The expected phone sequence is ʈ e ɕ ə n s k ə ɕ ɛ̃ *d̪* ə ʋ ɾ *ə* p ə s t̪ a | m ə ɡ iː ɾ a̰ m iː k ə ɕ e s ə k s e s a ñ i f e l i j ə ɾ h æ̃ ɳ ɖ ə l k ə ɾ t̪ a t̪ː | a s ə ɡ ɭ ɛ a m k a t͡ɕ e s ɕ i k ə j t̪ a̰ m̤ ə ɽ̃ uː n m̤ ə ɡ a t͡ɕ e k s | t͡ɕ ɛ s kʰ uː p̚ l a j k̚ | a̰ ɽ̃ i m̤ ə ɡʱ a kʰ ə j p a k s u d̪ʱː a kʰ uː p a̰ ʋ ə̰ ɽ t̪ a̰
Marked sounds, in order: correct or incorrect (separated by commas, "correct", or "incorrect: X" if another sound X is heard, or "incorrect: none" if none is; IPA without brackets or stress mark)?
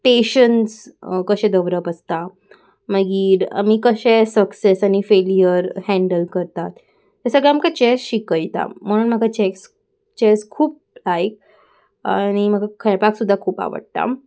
correct, correct